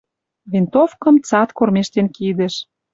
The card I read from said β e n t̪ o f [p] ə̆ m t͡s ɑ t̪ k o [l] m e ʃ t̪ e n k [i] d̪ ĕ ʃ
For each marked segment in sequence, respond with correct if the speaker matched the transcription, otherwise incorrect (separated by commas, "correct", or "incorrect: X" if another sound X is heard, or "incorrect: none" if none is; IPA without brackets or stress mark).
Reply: incorrect: k, incorrect: r, correct